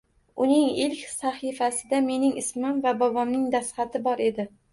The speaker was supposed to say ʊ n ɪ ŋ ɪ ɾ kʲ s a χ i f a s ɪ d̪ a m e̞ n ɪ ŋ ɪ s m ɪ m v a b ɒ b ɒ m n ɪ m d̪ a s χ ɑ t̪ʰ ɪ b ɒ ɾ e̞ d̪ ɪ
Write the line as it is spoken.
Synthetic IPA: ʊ n ɪ ŋ ɪ l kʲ s a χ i f a s ɪ d̪ a m e̞ n ɪ ŋ ɪ s m ɪ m v a b ɒ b ɒ m n ɪ ŋ d̪ a s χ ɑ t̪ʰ ɪ b ɒ ɾ e̞ d̪ ɪ

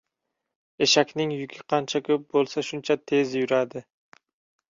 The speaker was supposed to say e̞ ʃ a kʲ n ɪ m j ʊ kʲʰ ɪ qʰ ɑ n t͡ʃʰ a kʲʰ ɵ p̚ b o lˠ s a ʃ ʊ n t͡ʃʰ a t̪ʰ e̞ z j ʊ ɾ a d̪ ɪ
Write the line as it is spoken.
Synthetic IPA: e̞ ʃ a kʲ n ɪ ŋ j ʊ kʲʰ ɪ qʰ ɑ n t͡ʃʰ a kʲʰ ɵ p̚ b o lˠ s a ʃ ʊ n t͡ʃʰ a t̪ʰ e̞ z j ʊ ɾ a d̪ ɪ

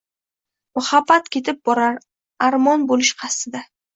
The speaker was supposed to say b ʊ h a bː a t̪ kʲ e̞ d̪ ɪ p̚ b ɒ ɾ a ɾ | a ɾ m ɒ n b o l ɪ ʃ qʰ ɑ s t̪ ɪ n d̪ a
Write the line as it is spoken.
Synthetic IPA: m ʊ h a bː a t̪ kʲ e̞ t̪ ɪ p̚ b ɒ ɾ a ɾ | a ɾ m ɒ n b o l ɪ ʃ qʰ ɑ s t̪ ɪ d̪ a

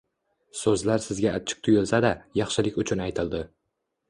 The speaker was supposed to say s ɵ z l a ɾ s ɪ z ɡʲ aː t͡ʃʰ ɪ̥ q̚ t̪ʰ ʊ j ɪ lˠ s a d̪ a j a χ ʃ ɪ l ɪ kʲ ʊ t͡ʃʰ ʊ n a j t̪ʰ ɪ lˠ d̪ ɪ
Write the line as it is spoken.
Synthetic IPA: s ɵ z l a ɾ s ɪ z ɡʲ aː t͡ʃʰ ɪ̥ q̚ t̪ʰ ʊ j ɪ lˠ s a d̪ a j ɑ χ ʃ ɪ l ɪ kʲ ʊ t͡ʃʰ ʊ n a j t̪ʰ ɪ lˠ d̪ ɪ

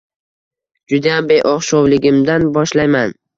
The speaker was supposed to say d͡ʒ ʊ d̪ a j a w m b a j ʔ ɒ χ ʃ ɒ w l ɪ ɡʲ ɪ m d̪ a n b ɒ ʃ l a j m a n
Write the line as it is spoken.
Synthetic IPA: d͡ʒ ʊ d̪ a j a m b e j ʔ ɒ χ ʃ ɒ w l ɪ ɡʲ ɪ m d̪ a n b ɒ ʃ l a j m a n

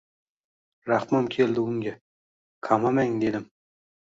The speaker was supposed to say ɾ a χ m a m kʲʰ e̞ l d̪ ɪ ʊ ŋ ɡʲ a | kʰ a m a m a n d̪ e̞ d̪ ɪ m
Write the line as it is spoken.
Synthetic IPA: ɾ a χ m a m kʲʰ e̞ l d̪ ɪ ʊ ŋ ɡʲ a | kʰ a m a m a ŋ d̪ e̞ d̪ ɪ m

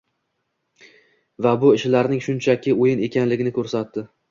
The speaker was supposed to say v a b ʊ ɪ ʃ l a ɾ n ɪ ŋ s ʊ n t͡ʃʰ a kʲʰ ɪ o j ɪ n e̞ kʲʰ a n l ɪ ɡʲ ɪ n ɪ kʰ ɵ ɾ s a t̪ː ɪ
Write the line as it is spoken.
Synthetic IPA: v a b ʊ ɪ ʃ l a ɾ n ɪ ŋ ʃ ʊ n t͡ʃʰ a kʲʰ ɪ o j ɪ n e̞ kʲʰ a n l ɪ ɡʲ ɪ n ɪ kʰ ɵ ɾ s a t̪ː ɪ

